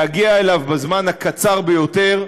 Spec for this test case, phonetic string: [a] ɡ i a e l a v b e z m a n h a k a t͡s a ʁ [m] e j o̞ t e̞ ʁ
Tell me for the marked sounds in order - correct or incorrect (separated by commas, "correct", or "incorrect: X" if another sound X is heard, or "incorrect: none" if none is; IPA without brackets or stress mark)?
correct, incorrect: b